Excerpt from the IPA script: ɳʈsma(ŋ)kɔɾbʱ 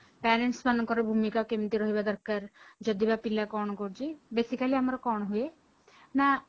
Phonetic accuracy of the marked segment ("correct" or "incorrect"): incorrect